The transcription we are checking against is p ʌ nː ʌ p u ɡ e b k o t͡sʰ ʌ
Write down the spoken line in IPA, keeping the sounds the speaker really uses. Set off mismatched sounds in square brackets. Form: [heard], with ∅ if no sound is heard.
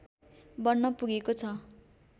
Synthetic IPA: [b] ʌ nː ʌ p u ɡ e [∅] k o t͡sʰ ʌ

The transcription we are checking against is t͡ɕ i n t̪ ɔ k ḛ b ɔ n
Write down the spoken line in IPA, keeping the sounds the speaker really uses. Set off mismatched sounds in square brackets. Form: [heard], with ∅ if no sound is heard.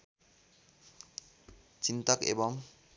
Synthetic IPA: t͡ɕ i n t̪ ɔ k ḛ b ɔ [ŋ]

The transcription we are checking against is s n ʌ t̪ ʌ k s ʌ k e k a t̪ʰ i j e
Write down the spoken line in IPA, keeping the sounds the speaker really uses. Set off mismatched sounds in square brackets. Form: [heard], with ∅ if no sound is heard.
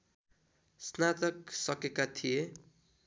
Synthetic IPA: s n [a] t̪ ʌ k s ʌ k e k a t̪ʰ i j e

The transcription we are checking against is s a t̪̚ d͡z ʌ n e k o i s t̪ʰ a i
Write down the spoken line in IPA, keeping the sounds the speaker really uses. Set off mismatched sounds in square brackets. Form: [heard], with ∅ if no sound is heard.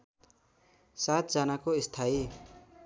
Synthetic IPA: s a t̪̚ d͡z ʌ n [a] k o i s t̪ʰ a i

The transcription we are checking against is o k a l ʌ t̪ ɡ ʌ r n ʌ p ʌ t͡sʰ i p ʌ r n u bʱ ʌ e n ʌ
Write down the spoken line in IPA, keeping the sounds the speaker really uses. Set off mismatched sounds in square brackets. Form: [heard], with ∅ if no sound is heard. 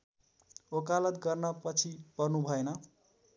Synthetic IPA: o k a l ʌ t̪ ɡ ʌ r n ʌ p ʌ t͡sʰ i p ʌ r n u bʱ ʌ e n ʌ

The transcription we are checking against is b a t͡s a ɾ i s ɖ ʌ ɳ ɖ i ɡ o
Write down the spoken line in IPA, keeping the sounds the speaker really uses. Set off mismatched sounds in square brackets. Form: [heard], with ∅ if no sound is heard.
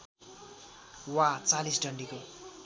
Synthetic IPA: [w] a t͡s a [l] i s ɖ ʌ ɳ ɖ i [k] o

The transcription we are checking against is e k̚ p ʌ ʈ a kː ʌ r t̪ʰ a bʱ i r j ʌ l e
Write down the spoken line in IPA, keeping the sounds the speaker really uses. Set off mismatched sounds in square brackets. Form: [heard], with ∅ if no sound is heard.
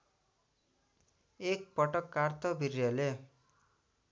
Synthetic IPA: e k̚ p ʌ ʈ [ʌ] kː [a] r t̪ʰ [ʌ] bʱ i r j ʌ l e

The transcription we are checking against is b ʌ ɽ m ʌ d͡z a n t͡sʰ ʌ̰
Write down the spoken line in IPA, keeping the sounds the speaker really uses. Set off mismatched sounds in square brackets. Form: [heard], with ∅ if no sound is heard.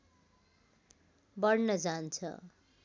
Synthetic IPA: b ʌ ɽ [n] ʌ d͡z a n t͡sʰ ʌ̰

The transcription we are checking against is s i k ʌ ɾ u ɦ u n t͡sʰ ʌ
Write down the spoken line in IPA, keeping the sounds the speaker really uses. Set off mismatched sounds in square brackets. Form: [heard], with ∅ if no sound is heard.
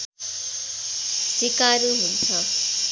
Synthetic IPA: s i k [a] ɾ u ɦ u n t͡sʰ ʌ

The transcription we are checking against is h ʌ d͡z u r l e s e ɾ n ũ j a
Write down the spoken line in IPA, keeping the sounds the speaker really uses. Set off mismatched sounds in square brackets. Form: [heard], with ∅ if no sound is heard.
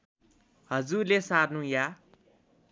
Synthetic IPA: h ʌ d͡z u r l e s [a] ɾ n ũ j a

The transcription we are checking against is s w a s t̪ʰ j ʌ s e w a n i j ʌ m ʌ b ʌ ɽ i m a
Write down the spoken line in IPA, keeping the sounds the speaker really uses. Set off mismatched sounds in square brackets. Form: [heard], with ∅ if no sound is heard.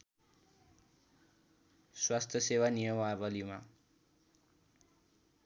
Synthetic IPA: s w a s t̪ʰ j ʌ s e w a n i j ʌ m [a] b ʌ [l] i m a

